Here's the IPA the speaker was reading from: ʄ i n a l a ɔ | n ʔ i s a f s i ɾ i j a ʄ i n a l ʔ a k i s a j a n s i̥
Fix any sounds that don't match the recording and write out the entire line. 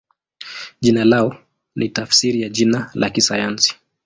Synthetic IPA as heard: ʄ i n a l a ɔ | n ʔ i t a f s i ɾ i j a ʄ i n a l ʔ a k i s a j a n s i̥